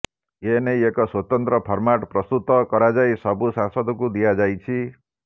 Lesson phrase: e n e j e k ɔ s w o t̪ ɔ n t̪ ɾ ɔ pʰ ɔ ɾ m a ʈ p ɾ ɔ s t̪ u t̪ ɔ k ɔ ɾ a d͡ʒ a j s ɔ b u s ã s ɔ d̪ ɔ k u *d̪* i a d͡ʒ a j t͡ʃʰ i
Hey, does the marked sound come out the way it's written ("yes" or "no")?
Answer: yes